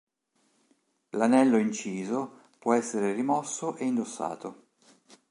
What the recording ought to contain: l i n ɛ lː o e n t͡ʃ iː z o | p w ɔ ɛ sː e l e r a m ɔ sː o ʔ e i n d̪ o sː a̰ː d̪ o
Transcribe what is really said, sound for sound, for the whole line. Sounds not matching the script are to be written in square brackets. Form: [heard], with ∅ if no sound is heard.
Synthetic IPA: l [a] n ɛ lː o [i] n t͡ʃ iː z o | p w ɔ ɛ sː e [ɾ] e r [i] m ɔ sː o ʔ e i n d̪ o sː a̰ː [t̪] o